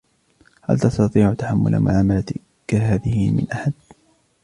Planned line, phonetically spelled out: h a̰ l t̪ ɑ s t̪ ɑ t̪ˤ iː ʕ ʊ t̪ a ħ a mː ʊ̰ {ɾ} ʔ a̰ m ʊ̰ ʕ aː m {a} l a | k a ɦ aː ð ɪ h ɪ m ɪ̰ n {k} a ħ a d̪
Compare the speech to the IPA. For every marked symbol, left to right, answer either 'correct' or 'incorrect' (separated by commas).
incorrect, correct, incorrect